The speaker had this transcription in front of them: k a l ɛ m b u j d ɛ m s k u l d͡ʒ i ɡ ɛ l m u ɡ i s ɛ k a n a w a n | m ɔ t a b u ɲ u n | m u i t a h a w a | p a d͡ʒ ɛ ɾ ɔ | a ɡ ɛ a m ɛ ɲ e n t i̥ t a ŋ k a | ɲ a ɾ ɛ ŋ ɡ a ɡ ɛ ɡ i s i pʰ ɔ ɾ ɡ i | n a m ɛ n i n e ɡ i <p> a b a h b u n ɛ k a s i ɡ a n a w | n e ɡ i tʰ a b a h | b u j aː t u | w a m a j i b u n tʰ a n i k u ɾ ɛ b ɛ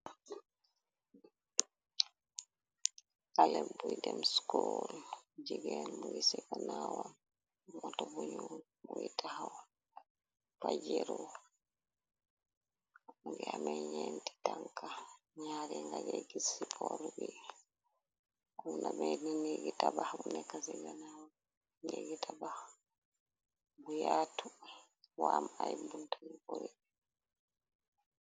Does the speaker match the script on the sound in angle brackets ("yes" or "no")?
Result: no